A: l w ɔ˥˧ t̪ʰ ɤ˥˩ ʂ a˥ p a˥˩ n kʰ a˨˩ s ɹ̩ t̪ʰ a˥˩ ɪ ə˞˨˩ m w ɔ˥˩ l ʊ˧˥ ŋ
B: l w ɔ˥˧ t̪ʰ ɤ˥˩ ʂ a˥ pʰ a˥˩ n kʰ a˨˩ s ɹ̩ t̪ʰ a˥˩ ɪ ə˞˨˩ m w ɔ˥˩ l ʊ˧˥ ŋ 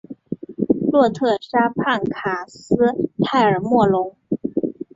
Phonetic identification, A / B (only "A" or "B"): B